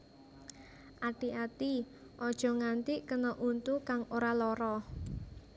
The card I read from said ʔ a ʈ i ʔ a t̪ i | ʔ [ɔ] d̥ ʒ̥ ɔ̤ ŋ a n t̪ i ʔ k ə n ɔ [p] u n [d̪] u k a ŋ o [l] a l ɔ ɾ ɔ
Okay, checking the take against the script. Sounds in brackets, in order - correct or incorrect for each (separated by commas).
correct, incorrect, incorrect, incorrect